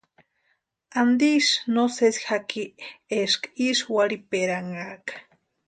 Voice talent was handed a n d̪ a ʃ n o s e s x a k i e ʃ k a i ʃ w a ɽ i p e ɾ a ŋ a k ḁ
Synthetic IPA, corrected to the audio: a n d̪ i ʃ n o s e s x a k i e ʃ k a i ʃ w a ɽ i p e ɾ a ŋ a k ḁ

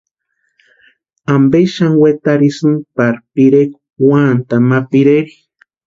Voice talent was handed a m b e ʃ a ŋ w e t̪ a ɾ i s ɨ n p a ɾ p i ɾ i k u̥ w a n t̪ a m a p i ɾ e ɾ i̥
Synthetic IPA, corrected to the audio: a m b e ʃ a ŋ w e t̪ a ɾ i s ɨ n p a ɾ p i ɾ e k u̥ w a n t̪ a m a p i ɾ e ɾ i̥

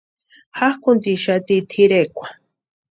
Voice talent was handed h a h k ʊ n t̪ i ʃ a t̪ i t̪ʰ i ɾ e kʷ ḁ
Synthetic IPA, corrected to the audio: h a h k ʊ n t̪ i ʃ a t̪ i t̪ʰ i ɾ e kʷ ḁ

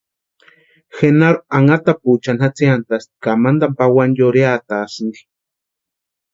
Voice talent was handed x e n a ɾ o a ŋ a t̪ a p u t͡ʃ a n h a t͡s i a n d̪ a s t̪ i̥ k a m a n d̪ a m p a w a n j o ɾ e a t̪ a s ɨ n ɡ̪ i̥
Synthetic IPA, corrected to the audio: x e n a ɾ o a ŋ a t̪ a p u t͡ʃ a n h a t͡s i a n t̪ a s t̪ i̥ k a m a n d̪ a m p a w a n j o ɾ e a t̪ a s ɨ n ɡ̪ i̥

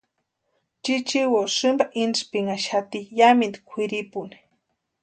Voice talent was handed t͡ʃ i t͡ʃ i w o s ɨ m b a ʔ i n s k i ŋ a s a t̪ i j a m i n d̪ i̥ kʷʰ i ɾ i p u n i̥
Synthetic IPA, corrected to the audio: t͡ʃ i t͡ʃ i w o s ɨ m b a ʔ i n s p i ŋ a ʃ a t̪ i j a m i n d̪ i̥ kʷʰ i ɾ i p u n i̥

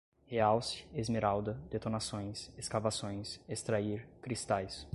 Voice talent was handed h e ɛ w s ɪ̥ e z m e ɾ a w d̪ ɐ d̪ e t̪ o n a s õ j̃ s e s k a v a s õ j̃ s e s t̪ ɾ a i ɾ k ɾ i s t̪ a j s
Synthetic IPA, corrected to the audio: h e a w s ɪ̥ e z m e ɾ a w d̪ ɐ d̪ e t̪ o n a s õ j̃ s e s k a v a s õ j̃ s e s t̪ ɾ a i ɾ k ɾ i s t̪ a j s

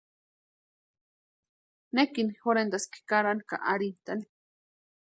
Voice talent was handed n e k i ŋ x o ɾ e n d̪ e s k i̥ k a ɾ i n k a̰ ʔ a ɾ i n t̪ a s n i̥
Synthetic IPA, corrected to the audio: n e k i n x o ɾ e n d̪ a s k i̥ k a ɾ a n k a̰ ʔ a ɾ i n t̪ a n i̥

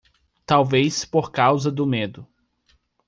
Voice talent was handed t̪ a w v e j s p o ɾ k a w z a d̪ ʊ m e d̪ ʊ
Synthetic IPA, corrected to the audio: t̪ a w v e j s p o ɾ k a w z ɐ d̪ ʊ m e d̪ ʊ

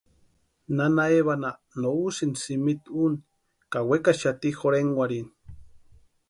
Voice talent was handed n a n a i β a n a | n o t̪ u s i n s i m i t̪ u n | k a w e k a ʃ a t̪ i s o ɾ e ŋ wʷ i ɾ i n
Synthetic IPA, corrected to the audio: n a n a e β a n a | n o u s i n s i m i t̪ u n | k a w e k a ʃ a t̪ i x o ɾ e ŋ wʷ a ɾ i n

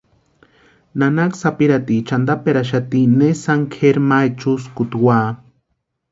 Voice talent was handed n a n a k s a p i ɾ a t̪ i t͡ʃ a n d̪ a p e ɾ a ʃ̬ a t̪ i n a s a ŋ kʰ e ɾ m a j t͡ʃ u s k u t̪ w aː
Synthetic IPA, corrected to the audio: n a n a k s a p i ɾ a t̪ i t͡ʃ a n d̪ a p e ɾ a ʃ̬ a t̪ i n e s a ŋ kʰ e ɾ m a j t͡ʃ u s k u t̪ w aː

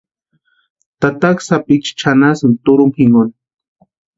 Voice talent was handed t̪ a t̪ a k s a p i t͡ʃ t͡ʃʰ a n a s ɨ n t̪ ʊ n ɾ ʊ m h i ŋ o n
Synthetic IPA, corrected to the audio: t̪ a t̪ a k s a p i t͡ʃ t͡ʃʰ a n a s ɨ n t̪ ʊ ɾ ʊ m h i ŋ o n

